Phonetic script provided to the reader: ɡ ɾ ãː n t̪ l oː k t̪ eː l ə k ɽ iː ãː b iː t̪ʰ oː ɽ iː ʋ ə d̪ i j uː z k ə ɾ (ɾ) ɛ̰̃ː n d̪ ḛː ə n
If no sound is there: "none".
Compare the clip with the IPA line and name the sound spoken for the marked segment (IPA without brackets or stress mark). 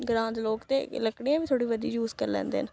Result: l